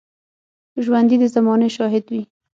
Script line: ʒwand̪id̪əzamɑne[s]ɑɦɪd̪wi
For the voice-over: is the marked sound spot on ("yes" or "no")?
no